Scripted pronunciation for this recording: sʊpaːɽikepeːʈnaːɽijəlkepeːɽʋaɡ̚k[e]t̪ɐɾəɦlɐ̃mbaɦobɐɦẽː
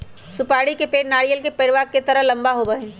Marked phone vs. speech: correct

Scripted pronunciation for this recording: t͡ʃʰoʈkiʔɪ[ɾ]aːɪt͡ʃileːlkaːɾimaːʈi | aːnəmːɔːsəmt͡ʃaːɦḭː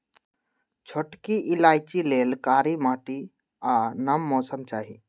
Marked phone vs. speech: incorrect: l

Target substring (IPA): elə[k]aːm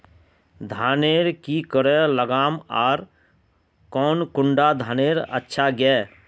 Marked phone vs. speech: incorrect: ɡ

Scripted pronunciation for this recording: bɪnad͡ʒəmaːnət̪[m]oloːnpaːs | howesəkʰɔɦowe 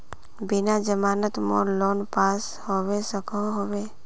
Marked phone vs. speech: correct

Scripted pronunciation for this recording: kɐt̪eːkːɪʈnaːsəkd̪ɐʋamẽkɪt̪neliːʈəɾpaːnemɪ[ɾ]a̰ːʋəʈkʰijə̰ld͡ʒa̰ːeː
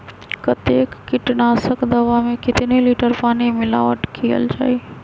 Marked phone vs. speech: incorrect: l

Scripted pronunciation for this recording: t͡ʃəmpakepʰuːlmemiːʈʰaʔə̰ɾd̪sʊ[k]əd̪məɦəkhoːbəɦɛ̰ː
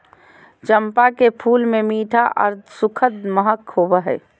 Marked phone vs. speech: incorrect: kʰ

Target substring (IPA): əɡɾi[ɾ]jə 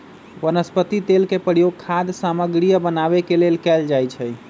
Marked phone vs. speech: incorrect: none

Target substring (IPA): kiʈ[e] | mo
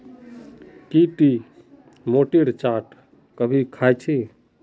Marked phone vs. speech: incorrect: i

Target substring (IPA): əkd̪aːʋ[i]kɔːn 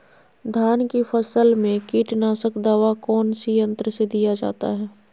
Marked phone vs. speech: incorrect: a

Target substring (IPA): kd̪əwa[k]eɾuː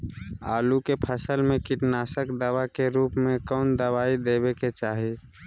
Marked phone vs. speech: correct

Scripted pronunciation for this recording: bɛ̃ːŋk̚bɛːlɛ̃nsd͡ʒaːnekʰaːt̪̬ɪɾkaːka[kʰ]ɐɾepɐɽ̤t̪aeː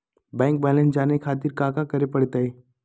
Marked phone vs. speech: incorrect: k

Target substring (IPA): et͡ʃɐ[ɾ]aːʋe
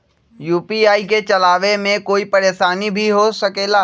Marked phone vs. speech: incorrect: l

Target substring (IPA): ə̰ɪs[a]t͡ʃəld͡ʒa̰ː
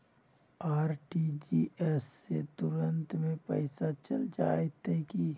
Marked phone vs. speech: correct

